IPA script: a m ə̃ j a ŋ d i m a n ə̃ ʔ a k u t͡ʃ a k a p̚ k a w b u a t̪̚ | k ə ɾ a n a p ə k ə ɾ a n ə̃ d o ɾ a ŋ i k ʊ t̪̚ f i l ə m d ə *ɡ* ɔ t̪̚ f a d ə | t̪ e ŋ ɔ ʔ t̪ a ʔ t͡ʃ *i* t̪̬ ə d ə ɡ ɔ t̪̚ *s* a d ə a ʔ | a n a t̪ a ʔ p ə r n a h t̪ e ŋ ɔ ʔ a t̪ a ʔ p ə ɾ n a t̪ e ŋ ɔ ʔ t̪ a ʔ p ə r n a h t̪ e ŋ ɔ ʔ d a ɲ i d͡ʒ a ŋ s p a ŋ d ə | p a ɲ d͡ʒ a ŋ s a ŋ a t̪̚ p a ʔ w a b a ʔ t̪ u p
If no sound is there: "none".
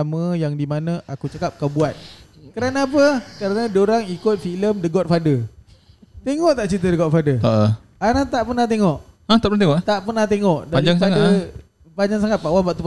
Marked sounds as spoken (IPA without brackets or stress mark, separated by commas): ɡ, i, f